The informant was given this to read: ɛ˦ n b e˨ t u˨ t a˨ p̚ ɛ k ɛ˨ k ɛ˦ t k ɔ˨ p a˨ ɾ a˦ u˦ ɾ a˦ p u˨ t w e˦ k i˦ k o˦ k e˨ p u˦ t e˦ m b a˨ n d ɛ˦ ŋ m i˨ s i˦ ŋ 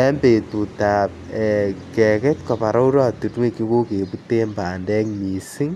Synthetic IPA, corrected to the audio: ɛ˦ m b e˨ t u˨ t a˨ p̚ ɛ k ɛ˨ k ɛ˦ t k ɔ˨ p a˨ ɾ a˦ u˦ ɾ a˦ t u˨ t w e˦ k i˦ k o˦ k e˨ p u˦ t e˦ m b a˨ n d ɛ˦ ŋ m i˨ s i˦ ŋ